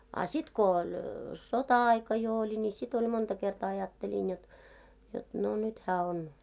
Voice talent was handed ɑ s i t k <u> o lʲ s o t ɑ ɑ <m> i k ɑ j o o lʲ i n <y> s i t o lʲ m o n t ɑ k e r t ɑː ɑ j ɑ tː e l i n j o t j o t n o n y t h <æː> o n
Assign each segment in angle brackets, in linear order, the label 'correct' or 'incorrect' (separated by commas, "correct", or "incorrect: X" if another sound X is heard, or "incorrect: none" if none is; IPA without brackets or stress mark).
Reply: incorrect: o, incorrect: none, incorrect: i, correct